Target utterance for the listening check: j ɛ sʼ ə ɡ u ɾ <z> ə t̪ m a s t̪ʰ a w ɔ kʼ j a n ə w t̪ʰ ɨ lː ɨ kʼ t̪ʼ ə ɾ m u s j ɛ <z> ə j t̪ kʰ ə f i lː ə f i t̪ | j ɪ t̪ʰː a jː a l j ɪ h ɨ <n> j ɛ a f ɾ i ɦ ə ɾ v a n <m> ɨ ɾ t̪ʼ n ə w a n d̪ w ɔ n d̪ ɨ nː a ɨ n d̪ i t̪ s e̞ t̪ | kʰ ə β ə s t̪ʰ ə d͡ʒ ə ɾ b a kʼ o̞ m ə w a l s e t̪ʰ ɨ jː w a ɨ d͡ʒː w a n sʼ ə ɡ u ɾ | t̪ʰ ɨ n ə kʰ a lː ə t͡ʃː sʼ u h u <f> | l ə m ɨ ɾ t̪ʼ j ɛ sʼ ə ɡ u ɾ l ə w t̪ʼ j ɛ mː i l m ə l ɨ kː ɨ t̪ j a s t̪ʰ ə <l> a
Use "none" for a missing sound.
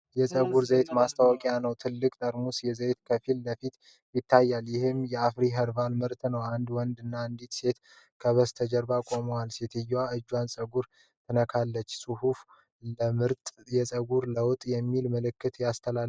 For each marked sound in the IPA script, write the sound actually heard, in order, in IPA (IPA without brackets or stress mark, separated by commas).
z, z, m, m, f, l